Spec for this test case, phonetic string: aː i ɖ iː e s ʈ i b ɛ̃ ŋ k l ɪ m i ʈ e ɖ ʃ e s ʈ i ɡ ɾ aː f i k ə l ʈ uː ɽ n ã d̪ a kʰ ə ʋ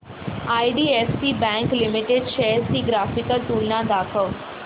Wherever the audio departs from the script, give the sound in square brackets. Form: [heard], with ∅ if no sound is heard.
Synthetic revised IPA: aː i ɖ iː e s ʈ i b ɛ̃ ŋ k l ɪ m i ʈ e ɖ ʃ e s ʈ i ɡ ɾ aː f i k ə l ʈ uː [l] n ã d̪ a kʰ ə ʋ